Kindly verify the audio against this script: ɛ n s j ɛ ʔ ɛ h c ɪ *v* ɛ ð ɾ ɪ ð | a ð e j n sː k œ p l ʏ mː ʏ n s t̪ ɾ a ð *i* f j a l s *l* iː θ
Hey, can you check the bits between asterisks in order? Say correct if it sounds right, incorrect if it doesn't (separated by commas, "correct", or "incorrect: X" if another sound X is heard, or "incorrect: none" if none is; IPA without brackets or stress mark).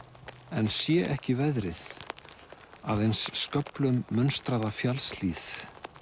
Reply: correct, incorrect: a, correct